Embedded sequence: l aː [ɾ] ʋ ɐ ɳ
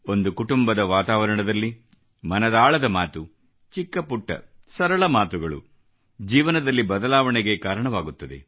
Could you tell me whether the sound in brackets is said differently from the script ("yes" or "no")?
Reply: yes